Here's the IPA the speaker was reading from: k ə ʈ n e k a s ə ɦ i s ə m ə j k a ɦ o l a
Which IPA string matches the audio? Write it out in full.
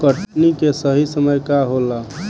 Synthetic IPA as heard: k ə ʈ n i k e s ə ɦ i s ə m ə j k a ɦ o l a